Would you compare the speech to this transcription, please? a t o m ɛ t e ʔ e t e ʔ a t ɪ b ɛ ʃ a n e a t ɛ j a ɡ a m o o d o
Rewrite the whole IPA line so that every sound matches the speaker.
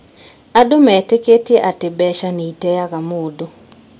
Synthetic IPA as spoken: a d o m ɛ t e k e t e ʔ a t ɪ b ɛ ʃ a n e i t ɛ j a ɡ a m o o d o